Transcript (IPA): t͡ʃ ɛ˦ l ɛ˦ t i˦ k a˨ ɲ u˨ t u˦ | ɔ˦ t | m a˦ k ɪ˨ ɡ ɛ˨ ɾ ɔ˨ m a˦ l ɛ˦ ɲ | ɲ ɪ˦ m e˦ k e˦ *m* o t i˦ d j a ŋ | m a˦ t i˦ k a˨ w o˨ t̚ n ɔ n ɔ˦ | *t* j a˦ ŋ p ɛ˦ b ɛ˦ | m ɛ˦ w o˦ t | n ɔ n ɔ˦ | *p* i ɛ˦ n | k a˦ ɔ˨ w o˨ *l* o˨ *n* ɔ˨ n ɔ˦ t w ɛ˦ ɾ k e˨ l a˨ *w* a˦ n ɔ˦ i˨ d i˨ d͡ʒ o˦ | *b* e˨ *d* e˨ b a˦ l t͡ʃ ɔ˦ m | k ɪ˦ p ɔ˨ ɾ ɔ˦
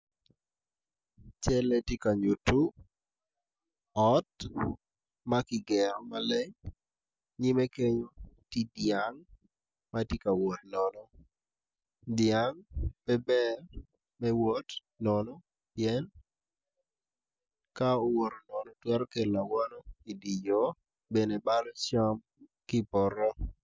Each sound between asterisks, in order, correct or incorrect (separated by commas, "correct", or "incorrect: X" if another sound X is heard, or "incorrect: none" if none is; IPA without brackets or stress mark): incorrect: ɲ, incorrect: d, correct, incorrect: ɾ, correct, correct, correct, incorrect: n